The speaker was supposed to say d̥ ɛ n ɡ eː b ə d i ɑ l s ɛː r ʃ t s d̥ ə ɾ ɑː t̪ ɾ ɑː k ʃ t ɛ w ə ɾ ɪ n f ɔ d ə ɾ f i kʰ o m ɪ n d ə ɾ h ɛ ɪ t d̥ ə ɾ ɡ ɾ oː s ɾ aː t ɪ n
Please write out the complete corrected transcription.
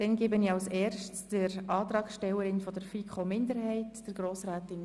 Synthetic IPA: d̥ ɛ n ɡ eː b ə n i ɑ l s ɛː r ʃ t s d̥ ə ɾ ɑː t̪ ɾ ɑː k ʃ t ɛ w ə ɾ ɪ n f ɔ d ə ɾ f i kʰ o m ɪ n d ə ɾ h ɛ ɪ t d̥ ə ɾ ɡ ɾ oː s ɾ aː t ɪ n